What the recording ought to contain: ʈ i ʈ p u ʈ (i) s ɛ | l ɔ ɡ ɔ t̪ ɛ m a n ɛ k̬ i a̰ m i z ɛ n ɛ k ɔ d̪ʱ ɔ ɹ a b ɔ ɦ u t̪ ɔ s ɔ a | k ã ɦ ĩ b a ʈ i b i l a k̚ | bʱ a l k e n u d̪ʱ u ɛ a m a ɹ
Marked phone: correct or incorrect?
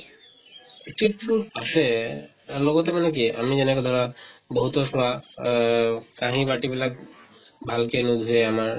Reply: incorrect